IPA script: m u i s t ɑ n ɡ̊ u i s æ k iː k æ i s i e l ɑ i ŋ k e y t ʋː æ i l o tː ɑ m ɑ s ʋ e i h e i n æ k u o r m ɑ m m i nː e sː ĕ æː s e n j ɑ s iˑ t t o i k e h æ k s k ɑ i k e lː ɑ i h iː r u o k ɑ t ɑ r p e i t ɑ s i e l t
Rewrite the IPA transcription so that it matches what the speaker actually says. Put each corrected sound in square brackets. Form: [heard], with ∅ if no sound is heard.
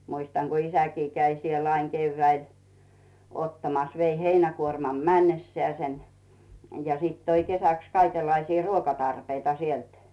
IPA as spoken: m u i s t ɑ [ŋ] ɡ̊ u i s æ k iː k æ i s i e l ɑ i ŋ k e y [∅] ʋː æ i l o tː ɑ m ɑ s ʋ e i h e i n æ k u o r m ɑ m m [æ] nː e sː ĕ æː s e n j ɑ s iˑ t t o i k e [s] æ k s k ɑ i k e lː ɑ i [s] iː r u o k ɑ t ɑ r p e i t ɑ s i e l t